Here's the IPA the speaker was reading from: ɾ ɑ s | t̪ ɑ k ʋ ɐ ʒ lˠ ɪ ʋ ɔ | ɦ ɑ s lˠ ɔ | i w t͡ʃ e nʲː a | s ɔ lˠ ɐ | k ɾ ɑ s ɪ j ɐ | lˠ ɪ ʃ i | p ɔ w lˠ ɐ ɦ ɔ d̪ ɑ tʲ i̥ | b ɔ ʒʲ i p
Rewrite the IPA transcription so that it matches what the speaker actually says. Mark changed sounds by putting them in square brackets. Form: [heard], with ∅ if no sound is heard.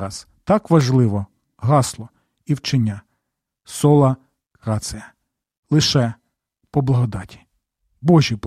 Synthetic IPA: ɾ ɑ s | t̪ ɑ k ʋ ɐ ʒ lˠ ɪ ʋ ɔ | ɦ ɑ s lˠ ɔ | i w t͡ʃ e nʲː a | s ɔ lˠ ɐ | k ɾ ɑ s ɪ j ɐ | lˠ ɪ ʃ [ɛ] | p ɔ [b] lˠ ɐ ɦ ɔ d̪ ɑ tʲ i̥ | b ɔ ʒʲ i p